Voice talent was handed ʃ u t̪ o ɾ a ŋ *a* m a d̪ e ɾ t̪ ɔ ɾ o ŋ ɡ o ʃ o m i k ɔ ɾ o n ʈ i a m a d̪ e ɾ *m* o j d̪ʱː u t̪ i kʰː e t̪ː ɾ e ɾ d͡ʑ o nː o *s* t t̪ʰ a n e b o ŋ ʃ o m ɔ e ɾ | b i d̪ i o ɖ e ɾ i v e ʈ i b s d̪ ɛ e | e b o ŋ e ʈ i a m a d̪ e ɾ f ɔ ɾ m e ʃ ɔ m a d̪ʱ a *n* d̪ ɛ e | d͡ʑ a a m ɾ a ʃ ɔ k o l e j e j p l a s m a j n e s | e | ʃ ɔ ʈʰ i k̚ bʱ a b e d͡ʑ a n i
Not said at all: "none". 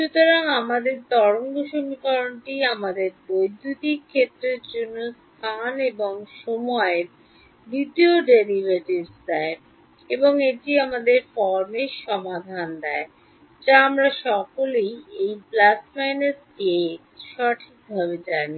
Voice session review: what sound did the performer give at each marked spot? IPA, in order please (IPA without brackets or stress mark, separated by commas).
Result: a, b, s, n